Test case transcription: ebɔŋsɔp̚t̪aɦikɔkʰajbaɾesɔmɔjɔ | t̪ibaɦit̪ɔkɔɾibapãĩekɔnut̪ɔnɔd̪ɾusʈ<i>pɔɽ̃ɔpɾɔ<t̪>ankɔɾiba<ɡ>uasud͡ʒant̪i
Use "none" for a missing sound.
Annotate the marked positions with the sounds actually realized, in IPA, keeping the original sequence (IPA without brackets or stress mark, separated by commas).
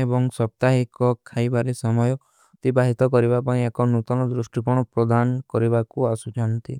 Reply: i, d̪, k